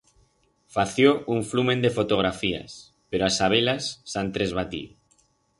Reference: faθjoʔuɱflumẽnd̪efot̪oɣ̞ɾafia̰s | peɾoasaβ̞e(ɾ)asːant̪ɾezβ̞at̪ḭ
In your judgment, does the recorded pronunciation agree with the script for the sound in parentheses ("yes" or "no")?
no